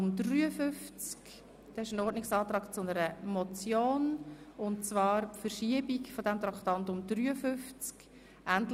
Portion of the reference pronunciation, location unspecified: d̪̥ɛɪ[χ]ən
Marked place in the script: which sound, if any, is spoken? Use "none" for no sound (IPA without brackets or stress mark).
ʃ